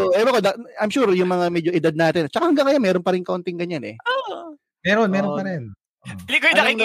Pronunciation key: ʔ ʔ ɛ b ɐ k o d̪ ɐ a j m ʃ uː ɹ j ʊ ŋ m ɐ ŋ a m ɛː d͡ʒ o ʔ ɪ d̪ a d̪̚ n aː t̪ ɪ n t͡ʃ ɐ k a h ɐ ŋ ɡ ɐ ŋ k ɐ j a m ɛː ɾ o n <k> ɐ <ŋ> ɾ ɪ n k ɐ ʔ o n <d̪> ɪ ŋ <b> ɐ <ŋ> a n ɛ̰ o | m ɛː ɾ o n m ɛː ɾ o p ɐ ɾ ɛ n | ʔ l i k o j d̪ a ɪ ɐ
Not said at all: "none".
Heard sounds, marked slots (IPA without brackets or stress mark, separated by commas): p, none, t̪, ɡ, ɲ